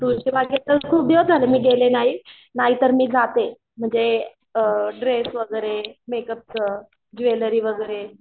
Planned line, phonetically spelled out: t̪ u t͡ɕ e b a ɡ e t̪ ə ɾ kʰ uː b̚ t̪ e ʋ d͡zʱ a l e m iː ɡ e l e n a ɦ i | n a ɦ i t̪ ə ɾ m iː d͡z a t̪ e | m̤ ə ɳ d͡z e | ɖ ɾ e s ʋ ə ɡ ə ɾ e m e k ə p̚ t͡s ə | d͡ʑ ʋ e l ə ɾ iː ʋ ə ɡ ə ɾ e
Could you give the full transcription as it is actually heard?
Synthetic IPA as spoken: t̪ u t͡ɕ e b a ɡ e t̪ ə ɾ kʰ uː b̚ d̪ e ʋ d͡zʱ a l e m iː ɡ e l e n a ɦ i | n a ɦ i t̪ ə ɾ m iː d͡z a t̪ e | m̤ ə ɳ d͡z e | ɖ ɾ e s ʋ ə ɡ ə ɾ e m e k ə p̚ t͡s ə | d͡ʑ ʋ e l ə ɾ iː ʋ ə ɡ ə ɾ e